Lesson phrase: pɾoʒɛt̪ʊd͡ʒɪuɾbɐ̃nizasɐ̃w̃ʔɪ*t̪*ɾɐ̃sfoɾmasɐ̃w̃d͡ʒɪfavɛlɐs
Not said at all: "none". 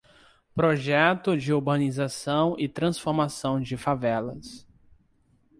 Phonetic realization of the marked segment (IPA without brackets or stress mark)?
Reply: t̪